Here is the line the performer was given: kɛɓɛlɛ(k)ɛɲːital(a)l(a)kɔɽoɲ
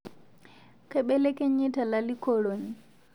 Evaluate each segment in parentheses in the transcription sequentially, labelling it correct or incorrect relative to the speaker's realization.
correct, correct, incorrect

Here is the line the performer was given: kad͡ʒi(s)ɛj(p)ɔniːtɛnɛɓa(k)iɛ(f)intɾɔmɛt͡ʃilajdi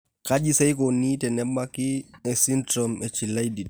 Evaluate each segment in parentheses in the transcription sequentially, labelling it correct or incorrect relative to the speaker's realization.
correct, incorrect, correct, incorrect

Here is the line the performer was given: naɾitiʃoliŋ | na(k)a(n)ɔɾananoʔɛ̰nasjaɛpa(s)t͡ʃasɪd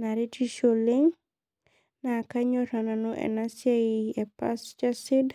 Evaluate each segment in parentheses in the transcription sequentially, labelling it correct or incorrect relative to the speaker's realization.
correct, incorrect, correct

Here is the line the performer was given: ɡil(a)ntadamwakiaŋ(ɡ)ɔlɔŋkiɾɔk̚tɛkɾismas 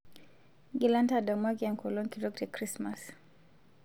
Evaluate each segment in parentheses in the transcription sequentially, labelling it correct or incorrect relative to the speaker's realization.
correct, incorrect

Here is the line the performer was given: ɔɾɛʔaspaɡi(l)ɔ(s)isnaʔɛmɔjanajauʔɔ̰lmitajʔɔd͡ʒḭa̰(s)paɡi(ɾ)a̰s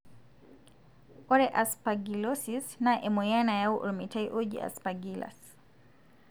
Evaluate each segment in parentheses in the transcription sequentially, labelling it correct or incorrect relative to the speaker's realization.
correct, correct, correct, incorrect

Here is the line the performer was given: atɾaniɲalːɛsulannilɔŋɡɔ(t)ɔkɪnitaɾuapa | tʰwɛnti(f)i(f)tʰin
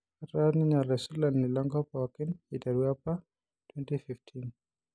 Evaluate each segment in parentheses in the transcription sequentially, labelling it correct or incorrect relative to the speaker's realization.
incorrect, correct, correct

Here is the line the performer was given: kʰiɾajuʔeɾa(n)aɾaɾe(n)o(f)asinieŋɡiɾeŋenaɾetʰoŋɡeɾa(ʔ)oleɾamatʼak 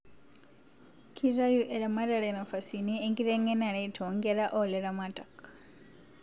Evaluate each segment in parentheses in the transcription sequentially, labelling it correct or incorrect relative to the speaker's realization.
incorrect, correct, correct, correct

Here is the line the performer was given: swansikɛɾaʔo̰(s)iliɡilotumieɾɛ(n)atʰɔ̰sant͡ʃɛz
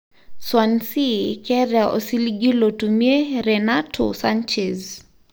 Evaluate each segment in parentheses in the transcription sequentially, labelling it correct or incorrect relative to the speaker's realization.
correct, correct

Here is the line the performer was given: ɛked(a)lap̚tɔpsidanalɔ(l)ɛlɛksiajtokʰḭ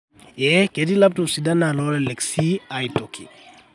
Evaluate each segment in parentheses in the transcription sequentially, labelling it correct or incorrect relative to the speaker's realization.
incorrect, correct

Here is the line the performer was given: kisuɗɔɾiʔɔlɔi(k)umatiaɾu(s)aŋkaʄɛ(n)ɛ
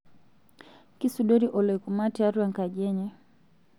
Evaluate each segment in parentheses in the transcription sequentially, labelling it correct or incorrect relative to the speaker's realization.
correct, incorrect, incorrect

